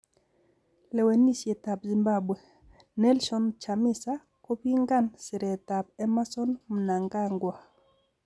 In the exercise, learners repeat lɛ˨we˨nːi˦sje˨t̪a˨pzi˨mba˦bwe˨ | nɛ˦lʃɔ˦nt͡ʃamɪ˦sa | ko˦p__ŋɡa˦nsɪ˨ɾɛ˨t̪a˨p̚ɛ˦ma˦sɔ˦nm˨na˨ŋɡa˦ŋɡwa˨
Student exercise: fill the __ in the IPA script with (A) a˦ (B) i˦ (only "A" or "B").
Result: B